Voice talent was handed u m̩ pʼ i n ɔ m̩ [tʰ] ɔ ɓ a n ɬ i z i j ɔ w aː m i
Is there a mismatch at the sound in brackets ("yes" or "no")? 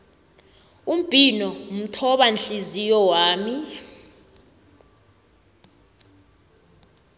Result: no